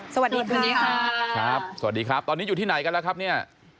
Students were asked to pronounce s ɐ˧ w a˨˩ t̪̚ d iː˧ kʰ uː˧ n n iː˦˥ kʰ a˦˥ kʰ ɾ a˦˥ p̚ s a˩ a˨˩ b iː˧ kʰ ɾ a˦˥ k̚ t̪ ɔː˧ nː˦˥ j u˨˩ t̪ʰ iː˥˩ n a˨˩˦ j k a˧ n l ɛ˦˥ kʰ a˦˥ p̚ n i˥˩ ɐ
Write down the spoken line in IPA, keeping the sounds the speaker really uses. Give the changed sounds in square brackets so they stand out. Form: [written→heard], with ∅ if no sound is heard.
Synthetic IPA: s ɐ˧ w a˨˩ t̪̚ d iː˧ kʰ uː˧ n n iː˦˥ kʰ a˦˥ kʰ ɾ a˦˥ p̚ s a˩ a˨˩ [b→d] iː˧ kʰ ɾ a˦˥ [k̚→p̚] t̪ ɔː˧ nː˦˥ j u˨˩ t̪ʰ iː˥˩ n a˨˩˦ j k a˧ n l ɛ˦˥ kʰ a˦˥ p̚ n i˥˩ ɐ